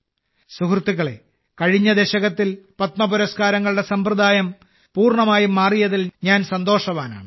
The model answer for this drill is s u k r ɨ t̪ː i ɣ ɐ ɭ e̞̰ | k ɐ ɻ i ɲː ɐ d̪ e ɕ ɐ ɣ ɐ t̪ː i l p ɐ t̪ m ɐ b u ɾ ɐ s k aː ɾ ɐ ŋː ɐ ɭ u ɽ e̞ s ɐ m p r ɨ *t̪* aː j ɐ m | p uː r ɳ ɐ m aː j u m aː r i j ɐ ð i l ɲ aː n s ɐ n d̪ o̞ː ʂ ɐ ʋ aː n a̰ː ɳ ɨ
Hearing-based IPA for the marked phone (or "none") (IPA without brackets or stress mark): d̪